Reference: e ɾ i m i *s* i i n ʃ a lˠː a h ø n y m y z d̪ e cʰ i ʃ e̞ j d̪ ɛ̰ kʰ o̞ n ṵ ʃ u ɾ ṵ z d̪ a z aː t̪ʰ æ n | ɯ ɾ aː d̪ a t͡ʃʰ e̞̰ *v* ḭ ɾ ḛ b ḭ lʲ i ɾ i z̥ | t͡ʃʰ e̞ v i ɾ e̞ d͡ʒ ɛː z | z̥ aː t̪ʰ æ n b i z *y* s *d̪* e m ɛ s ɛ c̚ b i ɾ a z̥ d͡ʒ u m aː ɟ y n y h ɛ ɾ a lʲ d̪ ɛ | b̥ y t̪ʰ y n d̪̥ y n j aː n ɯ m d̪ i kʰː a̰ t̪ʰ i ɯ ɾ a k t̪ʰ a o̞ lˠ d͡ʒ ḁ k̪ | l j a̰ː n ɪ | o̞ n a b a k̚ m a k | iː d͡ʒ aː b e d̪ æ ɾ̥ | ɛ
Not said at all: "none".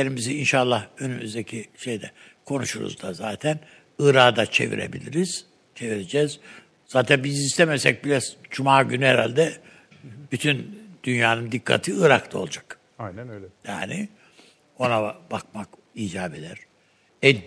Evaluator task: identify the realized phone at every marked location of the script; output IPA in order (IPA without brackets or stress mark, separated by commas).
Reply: z, v, i, t̪